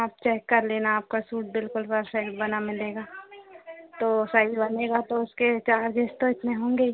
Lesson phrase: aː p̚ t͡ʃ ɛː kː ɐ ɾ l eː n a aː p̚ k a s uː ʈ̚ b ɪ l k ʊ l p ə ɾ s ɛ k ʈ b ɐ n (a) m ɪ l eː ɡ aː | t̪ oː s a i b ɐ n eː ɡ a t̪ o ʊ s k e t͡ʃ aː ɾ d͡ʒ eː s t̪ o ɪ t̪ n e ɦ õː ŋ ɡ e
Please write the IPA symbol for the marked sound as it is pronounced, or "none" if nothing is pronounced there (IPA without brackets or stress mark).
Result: a